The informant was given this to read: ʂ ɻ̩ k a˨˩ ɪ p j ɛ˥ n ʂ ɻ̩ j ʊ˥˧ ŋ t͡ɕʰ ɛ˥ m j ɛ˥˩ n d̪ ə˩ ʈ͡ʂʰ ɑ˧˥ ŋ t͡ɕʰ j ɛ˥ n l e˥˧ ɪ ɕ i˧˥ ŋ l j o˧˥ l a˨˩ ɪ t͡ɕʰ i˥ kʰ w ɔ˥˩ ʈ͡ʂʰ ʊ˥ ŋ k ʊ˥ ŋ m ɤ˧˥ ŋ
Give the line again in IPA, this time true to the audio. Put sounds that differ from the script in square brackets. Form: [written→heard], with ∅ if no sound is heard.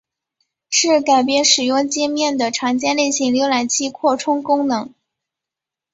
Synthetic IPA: ʂ ɻ̩ k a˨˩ ɪ p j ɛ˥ n ʂ ɻ̩ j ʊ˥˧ ŋ [t͡ɕʰ→t͡ɕ] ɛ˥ m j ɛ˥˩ n d̪ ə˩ ʈ͡ʂʰ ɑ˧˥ ŋ [t͡ɕʰ→t͡ɕ] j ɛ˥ n l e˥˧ ɪ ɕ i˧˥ ŋ l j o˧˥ l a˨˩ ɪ t͡ɕʰ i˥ kʰ w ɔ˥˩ ʈ͡ʂʰ ʊ˥ ŋ k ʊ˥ ŋ [m→n] ɤ˧˥ ŋ